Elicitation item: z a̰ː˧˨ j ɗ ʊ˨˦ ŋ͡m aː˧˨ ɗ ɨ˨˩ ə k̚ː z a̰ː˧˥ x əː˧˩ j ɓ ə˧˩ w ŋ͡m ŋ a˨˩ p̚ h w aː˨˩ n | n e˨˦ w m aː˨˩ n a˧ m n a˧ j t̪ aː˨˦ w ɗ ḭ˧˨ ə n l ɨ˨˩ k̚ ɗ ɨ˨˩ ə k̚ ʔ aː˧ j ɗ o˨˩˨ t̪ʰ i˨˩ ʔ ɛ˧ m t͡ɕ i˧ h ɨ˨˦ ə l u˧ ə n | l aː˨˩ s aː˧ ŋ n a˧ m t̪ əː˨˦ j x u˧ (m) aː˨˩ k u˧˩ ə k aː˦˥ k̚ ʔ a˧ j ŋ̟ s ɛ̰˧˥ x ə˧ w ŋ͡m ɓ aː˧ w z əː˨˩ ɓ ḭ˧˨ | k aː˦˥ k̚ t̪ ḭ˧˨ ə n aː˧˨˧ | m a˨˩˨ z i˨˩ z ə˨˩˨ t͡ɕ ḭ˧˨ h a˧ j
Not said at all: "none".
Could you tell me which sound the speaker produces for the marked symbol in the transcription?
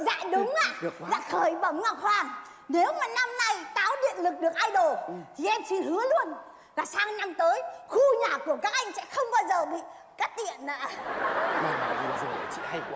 ɲ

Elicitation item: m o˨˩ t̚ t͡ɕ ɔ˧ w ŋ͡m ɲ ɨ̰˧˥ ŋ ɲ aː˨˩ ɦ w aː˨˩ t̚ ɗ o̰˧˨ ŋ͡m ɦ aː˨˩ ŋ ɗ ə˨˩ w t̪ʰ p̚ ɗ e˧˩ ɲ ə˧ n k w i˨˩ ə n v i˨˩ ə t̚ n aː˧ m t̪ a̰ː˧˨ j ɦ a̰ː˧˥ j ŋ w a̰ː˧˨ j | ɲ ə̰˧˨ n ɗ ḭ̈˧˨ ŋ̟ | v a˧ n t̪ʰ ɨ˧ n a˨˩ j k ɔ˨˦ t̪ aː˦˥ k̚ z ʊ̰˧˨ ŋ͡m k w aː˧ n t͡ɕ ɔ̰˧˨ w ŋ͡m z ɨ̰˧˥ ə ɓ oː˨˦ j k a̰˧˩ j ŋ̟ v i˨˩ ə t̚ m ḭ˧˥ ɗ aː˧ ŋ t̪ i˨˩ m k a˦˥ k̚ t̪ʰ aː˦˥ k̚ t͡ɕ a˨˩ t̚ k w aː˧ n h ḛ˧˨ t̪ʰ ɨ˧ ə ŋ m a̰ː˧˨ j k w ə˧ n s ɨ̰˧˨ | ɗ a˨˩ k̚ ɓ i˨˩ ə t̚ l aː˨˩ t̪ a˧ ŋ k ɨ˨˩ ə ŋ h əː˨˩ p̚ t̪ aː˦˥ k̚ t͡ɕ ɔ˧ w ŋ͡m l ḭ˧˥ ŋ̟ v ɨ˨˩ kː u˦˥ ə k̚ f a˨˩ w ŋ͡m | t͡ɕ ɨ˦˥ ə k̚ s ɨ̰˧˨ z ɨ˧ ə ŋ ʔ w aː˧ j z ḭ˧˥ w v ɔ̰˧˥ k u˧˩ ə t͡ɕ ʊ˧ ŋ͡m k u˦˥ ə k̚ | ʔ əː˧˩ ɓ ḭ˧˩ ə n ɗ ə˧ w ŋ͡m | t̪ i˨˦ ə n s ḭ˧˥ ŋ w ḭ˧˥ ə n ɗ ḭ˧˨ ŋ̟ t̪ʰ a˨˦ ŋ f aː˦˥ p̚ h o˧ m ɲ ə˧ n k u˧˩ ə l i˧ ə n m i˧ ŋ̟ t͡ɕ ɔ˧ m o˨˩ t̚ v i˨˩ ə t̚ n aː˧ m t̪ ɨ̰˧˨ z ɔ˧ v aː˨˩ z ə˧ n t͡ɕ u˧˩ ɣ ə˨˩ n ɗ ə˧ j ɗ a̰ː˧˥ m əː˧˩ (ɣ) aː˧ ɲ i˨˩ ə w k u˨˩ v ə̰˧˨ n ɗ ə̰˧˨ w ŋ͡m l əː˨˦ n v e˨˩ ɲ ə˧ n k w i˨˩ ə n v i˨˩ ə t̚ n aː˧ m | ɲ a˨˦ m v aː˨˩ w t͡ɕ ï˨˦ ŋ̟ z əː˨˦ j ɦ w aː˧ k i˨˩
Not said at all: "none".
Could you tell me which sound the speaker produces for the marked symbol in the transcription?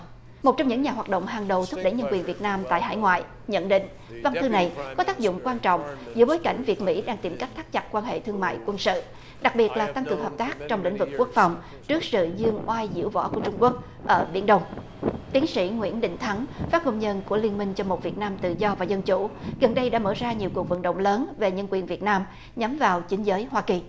z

